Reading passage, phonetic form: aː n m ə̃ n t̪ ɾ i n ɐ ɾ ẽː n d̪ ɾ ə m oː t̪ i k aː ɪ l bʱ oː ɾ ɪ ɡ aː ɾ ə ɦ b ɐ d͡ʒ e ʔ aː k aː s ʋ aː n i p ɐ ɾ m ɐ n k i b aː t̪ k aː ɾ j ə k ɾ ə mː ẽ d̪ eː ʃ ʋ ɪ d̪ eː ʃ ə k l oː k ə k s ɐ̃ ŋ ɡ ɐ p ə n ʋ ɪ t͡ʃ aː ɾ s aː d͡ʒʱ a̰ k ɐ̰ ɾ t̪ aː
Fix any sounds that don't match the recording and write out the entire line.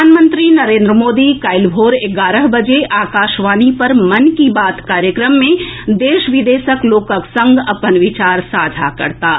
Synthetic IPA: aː n m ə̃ n t̪ ɾ i n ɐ ɾ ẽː n d̪ ɾ ə m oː d̪ i k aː ɪ l bʱ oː ɾ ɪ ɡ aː ɾ ə ɦ b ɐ d͡ʒ e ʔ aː k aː ʃ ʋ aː n i p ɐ ɾ m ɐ n k i b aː t̪ k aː ɾ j ə k ɾ ə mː ẽ d̪ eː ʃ ʋ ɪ d̪ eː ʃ ə k l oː k ə k s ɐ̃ ŋ ɡ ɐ p ə n ʋ ɪ t͡ʃ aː ɾ s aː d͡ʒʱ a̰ k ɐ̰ ɾ t̪ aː

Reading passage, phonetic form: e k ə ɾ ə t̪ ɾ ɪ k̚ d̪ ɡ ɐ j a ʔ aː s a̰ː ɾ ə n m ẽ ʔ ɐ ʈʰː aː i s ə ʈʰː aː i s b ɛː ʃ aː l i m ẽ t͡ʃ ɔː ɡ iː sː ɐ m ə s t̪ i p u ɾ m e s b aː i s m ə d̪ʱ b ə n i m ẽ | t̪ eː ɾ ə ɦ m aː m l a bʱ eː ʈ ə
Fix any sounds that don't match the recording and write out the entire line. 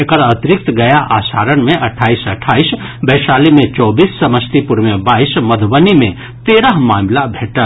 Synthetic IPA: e k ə ɾ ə t̪ ɾ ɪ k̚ t̪ ɡ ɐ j a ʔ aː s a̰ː ɾ ə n m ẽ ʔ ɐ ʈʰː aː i s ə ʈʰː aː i s b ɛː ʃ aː l i m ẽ t͡ʃ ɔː b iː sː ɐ m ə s t̪ i p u ɾ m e b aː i s m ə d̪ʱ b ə n i m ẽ | t̪ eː ɾ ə ɦ m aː m l a bʱ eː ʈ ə

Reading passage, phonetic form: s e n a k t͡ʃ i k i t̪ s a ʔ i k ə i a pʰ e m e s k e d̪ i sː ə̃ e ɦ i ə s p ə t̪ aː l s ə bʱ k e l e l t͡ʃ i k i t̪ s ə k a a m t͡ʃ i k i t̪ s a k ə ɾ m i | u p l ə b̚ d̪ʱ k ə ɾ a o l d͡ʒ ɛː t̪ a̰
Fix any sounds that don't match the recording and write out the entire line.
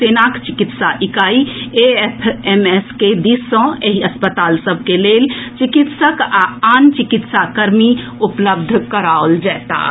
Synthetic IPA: s e n a k t͡ʃ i k i t̪ s a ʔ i k a i e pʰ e m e s k e d̪ i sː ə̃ e ɦ i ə s p ə t̪ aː l s ə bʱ k e l e l t͡ʃ i k i t̪ s ə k a a n t͡ʃ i k i t̪ s a k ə ɾ m i | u p l ə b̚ d̪ʱ k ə ɾ a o l d͡ʒ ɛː t̪ a̰

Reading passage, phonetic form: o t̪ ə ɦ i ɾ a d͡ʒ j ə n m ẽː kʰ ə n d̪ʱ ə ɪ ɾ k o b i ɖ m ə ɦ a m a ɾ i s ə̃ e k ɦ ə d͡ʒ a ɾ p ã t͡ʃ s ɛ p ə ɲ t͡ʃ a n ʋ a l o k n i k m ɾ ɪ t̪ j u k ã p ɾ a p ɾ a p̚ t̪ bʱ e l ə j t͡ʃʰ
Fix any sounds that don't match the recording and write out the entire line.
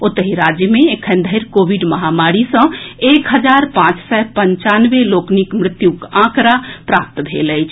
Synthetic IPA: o t̪ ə ɦ i ɾ a d͡ʒ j ə m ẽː kʰ ə n d̪ʱ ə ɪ ɾ k o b i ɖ m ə ɦ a m a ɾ i s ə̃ e k ɦ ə d͡ʒ a ɾ p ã t͡ʃ s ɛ p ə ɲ t͡ʃ a n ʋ e l o k n i k m ɾ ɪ t̪ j u k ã k ɾ a p ɾ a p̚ t̪ bʱ e l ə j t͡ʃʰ

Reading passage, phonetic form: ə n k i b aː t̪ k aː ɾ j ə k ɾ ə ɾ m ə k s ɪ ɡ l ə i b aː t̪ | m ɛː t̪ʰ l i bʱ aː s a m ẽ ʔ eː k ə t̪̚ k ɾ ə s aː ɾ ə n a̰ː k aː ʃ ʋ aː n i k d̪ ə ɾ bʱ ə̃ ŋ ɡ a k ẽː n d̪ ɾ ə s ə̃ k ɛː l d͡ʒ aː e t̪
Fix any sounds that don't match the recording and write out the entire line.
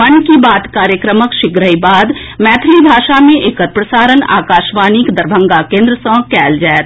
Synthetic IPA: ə n k i b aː t̪ k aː ɾ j ə k ɾ ə m ə k ʃ ɪ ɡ ɾ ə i b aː d̪ | m ɛː t̪ʰ l i bʱ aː ʃ a m ẽ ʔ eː k ə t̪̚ p ɾ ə s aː ɾ ə n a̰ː k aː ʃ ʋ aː n i k d̪ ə ɾ bʱ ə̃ ŋ ɡ a k ẽː n d̪ ɾ ə s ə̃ k ɛː l d͡ʒ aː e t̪

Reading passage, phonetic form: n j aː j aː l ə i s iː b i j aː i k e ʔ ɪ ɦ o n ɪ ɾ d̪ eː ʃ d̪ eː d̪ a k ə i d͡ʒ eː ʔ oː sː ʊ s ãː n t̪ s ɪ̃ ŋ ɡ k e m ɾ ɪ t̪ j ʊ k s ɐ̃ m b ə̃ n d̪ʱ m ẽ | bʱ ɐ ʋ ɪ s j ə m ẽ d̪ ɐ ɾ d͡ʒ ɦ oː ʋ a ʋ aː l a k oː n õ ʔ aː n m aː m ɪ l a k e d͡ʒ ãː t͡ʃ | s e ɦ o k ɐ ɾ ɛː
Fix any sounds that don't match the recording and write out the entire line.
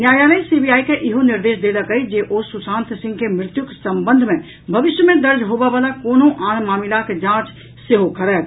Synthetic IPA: n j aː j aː l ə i s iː b i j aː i k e ʔ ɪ ɦ o n ɪ ɾ d̪ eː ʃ d̪ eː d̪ a k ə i d͡ʒ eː ʔ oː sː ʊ s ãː n t̪ s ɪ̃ ŋ ɡ k e m ɾ ɪ t̪ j ʊ k s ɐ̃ m b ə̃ n d̪ʱ m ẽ | bʱ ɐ ʋ ɪ ʃ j ə m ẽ d̪ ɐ ɾ d͡ʒ ɦ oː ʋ a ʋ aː l a k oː n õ ʔ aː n m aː m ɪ l a k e d͡ʒ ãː t͡ʃ | s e ɦ o k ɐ ɾ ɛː

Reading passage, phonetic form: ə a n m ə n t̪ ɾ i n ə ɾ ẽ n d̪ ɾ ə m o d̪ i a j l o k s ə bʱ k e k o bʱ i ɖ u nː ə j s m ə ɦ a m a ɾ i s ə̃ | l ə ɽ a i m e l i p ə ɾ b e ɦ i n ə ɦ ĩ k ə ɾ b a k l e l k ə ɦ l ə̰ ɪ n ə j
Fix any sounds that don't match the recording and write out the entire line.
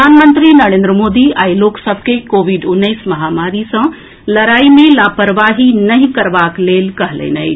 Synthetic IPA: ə a n m ə n t̪ ɾ i n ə ɾ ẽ n d̪ ɾ ə m o d̪ i a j l o k s ə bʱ k e k o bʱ i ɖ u nː ə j s m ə ɦ a m a ɾ i s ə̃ | l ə ɾ a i m e l a p ə ɾ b a ɦ i n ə ɦ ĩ k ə ɾ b a k l e l k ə ɦ l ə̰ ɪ n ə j

